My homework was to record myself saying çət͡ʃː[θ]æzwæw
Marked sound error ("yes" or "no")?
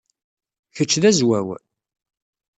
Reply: yes